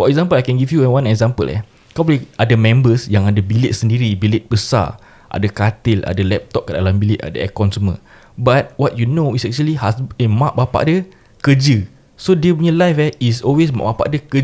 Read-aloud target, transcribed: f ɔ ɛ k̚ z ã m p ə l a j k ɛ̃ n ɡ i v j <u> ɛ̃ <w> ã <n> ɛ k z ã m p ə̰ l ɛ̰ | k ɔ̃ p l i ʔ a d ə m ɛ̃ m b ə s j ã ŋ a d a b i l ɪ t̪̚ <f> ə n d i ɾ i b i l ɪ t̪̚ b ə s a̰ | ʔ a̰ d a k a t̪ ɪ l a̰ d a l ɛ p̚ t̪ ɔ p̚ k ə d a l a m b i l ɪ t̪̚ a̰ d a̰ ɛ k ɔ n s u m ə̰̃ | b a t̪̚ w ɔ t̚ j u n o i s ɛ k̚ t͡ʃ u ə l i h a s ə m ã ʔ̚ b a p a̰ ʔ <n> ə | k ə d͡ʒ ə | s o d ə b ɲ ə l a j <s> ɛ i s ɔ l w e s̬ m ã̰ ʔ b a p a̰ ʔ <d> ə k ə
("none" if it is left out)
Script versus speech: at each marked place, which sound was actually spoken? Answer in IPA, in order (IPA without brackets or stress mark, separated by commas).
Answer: u, w, n, s, d, f, d